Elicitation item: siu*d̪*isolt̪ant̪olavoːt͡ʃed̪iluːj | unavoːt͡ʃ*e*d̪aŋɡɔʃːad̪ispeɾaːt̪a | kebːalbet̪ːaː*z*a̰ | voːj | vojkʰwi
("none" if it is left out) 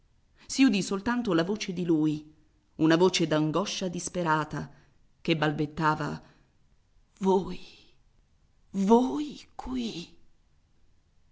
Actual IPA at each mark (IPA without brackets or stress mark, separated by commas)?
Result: d̪, e, v